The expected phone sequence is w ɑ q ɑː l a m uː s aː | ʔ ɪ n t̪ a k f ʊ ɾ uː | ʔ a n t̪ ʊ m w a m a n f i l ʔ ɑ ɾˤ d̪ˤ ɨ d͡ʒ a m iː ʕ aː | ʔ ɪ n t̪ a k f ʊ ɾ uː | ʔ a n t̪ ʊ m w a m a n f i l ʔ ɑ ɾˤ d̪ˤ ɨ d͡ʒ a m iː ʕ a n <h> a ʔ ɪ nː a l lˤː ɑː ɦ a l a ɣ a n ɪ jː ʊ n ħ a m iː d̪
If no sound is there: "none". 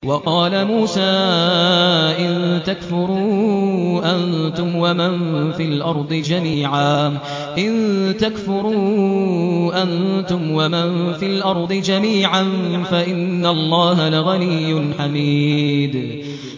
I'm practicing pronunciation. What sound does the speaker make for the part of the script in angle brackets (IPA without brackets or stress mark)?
f